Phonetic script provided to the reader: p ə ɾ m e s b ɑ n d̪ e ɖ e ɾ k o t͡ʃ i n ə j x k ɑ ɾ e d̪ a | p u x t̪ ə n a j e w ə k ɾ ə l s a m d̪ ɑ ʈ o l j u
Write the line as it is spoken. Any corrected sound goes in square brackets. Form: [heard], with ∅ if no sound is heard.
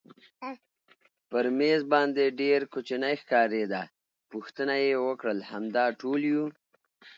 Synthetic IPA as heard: p ə ɾ m e [z] b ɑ n d̪ e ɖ e ɾ k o t͡ʃ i n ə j x k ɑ ɾ e d̪ a | p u x t̪ ə n a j e w ə k [ɽ] ə l [h] a m d̪ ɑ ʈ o l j u